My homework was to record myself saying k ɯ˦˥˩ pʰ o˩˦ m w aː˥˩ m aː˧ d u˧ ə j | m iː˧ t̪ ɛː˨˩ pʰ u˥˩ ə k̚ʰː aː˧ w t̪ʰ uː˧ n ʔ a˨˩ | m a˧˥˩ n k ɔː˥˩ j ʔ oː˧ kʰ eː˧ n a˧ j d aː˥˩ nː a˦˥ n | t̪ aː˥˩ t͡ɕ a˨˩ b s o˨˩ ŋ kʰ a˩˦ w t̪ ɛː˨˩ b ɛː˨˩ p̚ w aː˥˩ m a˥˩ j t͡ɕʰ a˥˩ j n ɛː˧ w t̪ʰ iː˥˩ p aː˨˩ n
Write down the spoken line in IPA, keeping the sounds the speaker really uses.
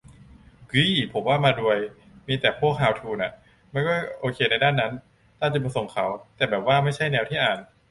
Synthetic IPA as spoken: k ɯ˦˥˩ pʰ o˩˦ m w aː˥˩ m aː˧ d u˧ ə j | m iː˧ t̪ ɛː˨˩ pʰ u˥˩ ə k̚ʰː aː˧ w t̪ʰ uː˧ n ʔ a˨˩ | m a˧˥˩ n k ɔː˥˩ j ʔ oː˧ kʰ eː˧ n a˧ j d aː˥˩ nː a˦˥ n | t̪ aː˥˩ t͡ɕ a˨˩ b s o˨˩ ŋ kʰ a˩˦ w t̪ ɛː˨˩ b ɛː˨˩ p̚ w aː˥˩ m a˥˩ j t͡ɕʰ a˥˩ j n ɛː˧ w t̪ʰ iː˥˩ ʔ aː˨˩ n